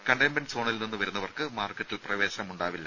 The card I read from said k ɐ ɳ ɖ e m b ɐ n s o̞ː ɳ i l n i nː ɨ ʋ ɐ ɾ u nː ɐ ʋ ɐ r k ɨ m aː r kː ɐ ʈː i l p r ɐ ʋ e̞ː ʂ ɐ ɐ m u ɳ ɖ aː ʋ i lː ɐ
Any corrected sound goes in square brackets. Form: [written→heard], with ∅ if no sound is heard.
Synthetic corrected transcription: k ɐ ɳ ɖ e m b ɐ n s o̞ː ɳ i l n i nː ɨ ʋ ɐ ɾ u nː ɐ ʋ ɐ r k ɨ m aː r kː ɐ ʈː i l p r ɐ ʋ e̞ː [ʂ→ɕ] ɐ ɐ m u ɳ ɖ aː ʋ i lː ɐ

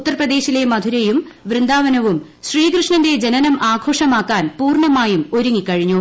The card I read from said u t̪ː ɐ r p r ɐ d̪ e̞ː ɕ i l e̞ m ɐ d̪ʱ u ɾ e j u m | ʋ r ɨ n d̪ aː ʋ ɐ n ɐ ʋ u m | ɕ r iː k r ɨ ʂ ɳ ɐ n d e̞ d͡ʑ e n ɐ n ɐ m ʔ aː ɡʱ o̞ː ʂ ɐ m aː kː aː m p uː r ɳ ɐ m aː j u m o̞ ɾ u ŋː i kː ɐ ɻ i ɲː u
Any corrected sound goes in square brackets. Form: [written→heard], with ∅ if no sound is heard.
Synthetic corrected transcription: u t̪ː ɐ r p r ɐ d̪ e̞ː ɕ i l e̞ m ɐ d̪ʱ u ɾ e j u m | ʋ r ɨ n d̪ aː ʋ ɐ n ɐ ʋ u m | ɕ r iː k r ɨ ʂ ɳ ɐ n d e̞ d͡ʑ e n ɐ n ɐ m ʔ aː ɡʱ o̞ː ʂ ɐ m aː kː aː [m→n] p uː r ɳ ɐ m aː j u m o̞ ɾ u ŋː i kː ɐ ɻ i ɲː u

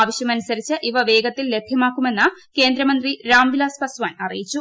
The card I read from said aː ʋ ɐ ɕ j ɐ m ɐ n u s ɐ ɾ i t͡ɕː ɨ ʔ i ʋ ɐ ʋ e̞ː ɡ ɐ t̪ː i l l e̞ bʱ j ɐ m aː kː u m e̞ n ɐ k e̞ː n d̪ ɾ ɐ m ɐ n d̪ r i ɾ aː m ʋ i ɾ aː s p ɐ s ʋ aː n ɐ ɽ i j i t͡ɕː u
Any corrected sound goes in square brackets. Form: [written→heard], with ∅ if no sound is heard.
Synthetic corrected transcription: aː ʋ ɐ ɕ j ɐ m ɐ n u s ɐ ɾ i t͡ɕː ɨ ʔ i ʋ ɐ ʋ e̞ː ɡ ɐ t̪ː i l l e̞ bʱ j ɐ m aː kː u m e̞ [n→nː] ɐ k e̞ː n d̪ ɾ ɐ m ɐ n d̪ r i ɾ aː m ʋ i [ɾ→l] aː s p ɐ s ʋ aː n ɐ [ɽ→r] i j i t͡ɕː u

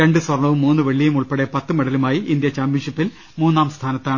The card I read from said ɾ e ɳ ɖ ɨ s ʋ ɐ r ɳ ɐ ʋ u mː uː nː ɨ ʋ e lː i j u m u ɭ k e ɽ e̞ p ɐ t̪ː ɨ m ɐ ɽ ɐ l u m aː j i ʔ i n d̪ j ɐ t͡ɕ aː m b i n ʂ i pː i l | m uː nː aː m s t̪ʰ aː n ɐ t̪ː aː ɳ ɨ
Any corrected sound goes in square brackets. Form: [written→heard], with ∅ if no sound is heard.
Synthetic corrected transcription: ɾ e ɳ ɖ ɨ s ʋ ɐ r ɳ ɐ ʋ u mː uː nː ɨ ʋ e [lː→ɭː] i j u m u ɭ [k→p] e ɽ e̞ p ɐ t̪ː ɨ m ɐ ɽ ɐ l u m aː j i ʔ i n d̪ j ɐ t͡ɕ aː m b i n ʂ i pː i l | m uː nː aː m s t̪ʰ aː n ɐ t̪ː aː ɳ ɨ

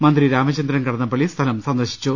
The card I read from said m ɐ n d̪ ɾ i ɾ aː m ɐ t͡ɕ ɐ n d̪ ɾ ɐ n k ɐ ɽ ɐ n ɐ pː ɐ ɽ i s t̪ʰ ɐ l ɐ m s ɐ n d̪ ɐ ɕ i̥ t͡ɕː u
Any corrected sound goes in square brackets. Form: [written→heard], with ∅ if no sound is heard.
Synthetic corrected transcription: m ɐ n d̪ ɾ i ɾ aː m ɐ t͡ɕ ɐ n d̪ ɾ ɐ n k ɐ ɽ ɐ [n→nː] ɐ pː ɐ [ɽ→ɭ] i s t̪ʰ ɐ l ɐ m s ɐ n d̪ ɐ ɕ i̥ t͡ɕː u

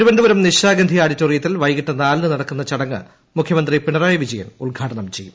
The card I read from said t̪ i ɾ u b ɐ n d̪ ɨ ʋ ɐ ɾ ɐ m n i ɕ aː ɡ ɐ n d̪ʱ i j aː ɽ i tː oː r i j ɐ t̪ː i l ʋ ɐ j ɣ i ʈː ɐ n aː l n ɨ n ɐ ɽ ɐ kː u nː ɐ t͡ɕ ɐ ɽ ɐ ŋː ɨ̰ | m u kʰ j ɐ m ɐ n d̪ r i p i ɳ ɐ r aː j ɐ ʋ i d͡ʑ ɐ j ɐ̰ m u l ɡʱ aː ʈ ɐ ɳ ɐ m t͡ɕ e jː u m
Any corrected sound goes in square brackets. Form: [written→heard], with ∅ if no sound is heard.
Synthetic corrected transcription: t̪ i ɾ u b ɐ n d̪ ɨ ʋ ɐ ɾ ɐ m n i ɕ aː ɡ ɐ n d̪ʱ i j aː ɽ i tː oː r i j ɐ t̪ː i l ʋ ɐ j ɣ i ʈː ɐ n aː l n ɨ n ɐ ɽ ɐ kː u nː ɐ t͡ɕ ɐ ɽ ɐ ŋː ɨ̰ | m u kʰ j ɐ m ɐ n d̪ r i p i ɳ ɐ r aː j ɐ ʋ i d͡ʑ ɐ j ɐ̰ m u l ɡʱ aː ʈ ɐ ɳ ɐ m t͡ɕ e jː u m

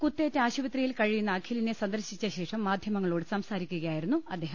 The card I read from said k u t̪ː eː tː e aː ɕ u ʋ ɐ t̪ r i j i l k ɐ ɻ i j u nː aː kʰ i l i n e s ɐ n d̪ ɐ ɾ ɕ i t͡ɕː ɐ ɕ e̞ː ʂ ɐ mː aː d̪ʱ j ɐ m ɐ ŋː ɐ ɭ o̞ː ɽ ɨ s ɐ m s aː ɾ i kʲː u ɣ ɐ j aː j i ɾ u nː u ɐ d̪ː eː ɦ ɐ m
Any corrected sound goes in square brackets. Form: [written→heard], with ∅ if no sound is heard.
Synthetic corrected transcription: k u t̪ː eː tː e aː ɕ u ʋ ɐ t̪ r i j i l k ɐ ɻ i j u nː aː kʰ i l i n e s ɐ n d̪ ɐ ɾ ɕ i t͡ɕː ɐ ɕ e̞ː ʂ ɐ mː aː d̪ʱ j ɐ m ɐ ŋː ɐ ɭ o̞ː ɽ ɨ s ɐ m s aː ɾ i kʲː u ɣ ɐ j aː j i ɾ u nː u ɐ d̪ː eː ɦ ɐ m

